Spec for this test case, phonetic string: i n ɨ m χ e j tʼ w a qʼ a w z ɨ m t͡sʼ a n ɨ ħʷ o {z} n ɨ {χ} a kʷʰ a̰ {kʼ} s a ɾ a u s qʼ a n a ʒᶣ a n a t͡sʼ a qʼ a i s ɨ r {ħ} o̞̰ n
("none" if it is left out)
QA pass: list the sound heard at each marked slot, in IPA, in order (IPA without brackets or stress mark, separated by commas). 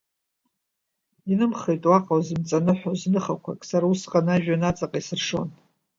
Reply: z, χ, kʼ, ʂ